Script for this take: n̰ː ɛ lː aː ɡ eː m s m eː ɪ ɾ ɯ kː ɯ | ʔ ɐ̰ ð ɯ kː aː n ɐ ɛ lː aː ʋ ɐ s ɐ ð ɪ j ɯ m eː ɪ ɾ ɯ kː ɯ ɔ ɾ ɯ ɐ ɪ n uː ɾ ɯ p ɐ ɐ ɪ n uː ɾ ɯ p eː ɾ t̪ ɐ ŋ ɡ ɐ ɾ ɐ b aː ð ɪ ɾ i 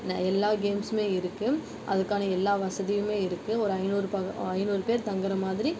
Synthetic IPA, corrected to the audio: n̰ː ɛ lː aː ɡ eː m s m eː ɪ ɾ ɯ kː ɯ | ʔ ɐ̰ ð ɯ kː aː n ɐ ɛ lː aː ʋ ɐ s ɐ ð ɪ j ɯ m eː ɪ ɾ ɯ kː ɯ ɔ ɾ ɯ ɐ ɪ n uː ɾ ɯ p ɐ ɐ ɪ n uː ɾ ɯ p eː ɾ t̪ ɐ ŋ ɡ ɐ ɾ ɐ m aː ð ɪ ɾ i